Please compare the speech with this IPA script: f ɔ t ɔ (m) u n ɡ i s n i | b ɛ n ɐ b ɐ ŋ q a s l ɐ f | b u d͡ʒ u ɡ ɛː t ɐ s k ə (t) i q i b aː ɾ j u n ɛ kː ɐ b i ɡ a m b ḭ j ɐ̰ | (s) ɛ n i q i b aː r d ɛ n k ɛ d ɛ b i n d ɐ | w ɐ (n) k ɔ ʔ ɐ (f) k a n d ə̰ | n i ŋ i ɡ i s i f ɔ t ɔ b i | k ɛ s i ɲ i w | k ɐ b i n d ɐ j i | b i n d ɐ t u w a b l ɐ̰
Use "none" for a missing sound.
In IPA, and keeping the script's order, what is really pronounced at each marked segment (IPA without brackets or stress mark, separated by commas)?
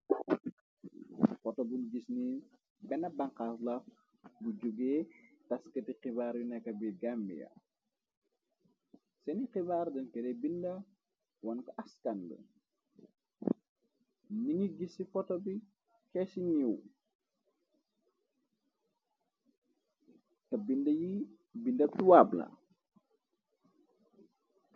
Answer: b, t, s, n, s